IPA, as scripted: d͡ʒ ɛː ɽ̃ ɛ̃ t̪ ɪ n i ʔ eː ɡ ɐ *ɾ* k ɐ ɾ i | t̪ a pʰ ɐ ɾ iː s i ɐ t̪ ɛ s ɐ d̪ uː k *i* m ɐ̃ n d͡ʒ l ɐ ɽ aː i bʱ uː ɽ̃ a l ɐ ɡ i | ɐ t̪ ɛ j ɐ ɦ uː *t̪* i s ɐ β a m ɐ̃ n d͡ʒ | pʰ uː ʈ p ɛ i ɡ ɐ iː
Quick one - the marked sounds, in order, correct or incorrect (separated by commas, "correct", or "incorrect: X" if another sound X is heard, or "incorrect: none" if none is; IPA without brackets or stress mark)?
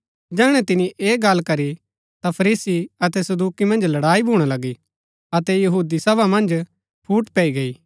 incorrect: l, correct, incorrect: d̪